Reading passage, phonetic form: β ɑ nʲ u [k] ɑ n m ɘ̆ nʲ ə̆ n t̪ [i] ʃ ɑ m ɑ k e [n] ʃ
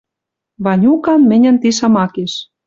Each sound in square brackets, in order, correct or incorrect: correct, correct, incorrect

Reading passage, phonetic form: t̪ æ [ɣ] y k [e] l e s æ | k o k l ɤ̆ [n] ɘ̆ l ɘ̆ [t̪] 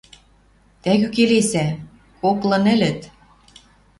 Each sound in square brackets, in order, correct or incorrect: correct, correct, correct, correct

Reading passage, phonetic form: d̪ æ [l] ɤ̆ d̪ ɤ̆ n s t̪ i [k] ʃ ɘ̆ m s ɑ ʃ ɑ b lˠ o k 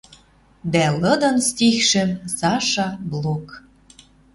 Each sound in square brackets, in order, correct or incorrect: correct, incorrect

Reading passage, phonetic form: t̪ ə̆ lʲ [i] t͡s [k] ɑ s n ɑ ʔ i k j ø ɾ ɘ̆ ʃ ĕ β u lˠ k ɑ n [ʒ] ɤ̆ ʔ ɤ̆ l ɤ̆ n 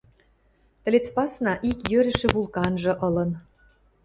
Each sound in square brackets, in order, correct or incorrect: incorrect, incorrect, correct

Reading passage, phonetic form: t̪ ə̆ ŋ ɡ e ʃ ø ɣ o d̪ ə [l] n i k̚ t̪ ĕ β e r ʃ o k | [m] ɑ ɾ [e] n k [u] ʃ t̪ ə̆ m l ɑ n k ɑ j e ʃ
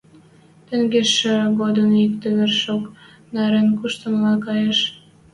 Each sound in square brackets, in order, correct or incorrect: incorrect, incorrect, correct, correct

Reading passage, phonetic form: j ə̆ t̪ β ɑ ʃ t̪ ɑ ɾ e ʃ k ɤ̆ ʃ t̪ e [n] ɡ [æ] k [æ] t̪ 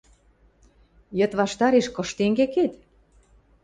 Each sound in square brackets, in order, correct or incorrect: incorrect, incorrect, incorrect

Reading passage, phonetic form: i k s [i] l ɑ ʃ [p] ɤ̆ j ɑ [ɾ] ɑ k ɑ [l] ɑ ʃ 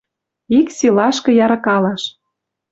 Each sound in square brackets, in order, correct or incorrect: correct, incorrect, correct, correct

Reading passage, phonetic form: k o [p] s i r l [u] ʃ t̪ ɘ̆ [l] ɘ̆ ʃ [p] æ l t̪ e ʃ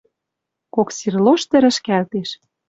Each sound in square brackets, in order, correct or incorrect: incorrect, incorrect, incorrect, incorrect

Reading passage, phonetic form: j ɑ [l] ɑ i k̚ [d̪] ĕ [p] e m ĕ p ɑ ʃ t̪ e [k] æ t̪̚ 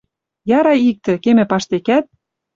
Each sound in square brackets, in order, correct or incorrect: incorrect, incorrect, incorrect, correct

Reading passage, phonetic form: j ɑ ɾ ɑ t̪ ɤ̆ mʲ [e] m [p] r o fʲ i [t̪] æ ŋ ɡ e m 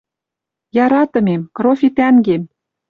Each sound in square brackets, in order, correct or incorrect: correct, incorrect, correct

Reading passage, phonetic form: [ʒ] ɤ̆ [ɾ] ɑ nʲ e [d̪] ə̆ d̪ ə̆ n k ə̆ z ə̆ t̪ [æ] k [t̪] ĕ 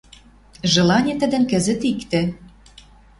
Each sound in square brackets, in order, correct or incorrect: correct, incorrect, incorrect, incorrect, correct

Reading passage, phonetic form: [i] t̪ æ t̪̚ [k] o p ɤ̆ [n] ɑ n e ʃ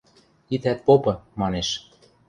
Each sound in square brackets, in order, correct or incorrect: correct, incorrect, incorrect

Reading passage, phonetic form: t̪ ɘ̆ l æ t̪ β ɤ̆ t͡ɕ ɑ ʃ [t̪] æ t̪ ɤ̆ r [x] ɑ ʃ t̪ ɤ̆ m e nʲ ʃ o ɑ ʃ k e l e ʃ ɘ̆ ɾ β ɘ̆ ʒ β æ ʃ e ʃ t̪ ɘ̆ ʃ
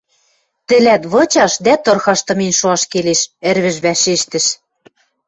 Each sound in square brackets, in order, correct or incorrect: incorrect, correct

